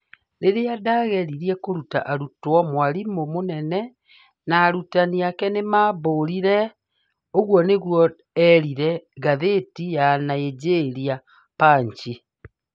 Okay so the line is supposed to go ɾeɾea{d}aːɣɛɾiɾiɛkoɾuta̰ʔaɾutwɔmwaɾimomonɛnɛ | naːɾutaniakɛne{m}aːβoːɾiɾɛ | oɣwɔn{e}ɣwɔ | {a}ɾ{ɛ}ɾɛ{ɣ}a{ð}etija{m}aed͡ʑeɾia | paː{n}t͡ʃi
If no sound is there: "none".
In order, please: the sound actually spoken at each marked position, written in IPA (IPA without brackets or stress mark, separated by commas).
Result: d, m, e, ɛ, i, ɣ, ð, n, ɲ